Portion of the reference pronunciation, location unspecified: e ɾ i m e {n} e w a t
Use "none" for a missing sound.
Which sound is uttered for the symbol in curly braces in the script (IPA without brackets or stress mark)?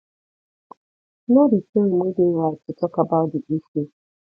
d